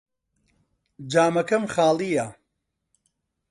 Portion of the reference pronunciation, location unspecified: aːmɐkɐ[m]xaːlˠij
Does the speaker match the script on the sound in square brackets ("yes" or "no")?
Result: yes